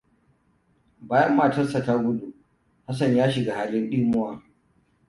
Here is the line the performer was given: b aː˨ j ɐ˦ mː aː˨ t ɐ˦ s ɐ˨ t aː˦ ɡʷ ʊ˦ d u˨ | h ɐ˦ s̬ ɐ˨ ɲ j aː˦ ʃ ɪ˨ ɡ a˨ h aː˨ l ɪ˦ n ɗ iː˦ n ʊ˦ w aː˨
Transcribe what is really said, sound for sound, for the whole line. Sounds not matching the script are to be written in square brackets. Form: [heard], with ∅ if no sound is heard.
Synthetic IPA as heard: b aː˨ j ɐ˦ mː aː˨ t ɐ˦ s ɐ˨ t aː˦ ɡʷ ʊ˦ d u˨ | h [a˦] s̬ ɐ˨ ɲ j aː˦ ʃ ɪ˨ ɡ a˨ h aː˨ l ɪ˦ n ɗ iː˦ [m] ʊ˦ w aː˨